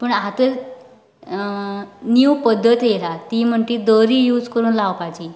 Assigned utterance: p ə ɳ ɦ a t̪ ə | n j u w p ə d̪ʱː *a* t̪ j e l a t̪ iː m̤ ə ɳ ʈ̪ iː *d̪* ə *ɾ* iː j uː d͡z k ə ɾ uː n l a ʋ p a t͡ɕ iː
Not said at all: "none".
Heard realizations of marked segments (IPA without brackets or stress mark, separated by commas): ə, d̪, ɾ